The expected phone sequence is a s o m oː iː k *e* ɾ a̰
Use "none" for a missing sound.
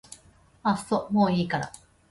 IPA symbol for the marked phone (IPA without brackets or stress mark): a